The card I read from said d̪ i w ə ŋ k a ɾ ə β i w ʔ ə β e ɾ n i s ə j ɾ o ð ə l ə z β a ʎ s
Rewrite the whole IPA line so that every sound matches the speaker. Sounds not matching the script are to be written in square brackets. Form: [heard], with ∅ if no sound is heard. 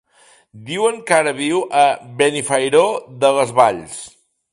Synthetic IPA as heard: d̪ i w ə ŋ k a ɾ ə β i w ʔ ə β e [∅] n i [f] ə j ɾ o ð ə l ə z β a ʎ s